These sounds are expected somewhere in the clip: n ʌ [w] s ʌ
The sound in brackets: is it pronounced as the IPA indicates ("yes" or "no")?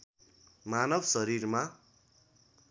no